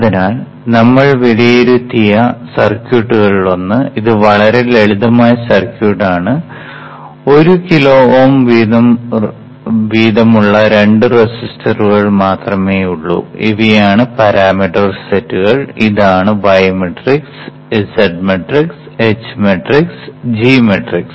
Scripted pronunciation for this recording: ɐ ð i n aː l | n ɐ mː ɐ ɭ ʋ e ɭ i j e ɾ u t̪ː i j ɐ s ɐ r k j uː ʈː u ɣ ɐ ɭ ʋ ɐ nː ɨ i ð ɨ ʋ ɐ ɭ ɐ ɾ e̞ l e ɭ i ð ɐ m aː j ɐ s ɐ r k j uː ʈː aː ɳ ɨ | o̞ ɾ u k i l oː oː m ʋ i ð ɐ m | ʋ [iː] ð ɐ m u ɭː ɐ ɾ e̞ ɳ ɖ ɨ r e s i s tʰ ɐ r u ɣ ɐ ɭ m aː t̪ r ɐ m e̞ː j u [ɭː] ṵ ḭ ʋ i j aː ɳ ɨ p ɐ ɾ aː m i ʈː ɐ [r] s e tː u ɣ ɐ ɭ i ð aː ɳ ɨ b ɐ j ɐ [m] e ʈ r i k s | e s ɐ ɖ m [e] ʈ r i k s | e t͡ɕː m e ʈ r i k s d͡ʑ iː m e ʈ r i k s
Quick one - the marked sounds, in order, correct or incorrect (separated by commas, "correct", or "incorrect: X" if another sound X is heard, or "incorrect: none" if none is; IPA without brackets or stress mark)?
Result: correct, correct, correct, correct, correct